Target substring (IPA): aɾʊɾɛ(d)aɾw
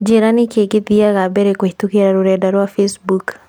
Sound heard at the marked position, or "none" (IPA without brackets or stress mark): d